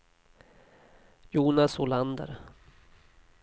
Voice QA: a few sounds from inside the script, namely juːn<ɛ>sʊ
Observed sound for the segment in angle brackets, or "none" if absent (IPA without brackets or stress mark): a